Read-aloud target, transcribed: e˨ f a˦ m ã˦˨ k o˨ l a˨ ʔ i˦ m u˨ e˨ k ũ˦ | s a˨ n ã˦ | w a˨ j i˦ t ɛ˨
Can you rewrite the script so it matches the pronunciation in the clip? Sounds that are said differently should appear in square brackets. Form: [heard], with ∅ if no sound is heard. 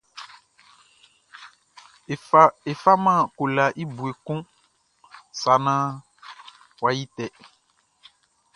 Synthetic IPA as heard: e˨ f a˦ m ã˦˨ k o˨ l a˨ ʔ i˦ [b] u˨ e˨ k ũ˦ | s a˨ n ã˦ | w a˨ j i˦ t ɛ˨